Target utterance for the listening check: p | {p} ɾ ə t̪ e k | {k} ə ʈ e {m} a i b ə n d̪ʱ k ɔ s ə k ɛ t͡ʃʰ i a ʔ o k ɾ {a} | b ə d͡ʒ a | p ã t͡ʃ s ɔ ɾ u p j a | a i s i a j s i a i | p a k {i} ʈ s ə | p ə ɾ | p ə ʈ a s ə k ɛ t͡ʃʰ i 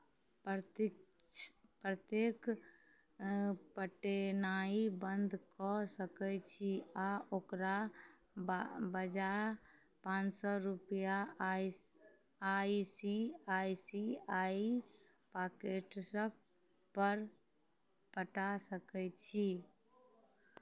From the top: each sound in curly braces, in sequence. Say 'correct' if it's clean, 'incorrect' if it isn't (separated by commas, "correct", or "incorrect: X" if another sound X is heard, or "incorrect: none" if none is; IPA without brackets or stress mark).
correct, incorrect: p, incorrect: n, correct, incorrect: e